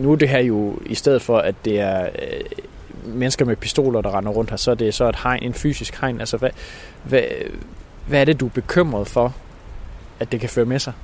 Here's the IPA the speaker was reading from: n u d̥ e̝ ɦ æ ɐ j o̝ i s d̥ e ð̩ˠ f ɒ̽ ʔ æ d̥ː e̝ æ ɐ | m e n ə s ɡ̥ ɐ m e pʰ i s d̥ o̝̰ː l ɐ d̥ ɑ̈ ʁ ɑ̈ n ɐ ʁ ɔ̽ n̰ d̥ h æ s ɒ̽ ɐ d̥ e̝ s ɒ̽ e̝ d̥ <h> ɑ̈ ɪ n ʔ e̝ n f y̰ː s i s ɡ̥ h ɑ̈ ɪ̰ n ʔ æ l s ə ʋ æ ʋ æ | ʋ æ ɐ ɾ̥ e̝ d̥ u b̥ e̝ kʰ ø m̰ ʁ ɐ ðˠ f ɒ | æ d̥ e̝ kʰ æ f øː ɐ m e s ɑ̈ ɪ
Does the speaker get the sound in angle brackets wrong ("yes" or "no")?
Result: no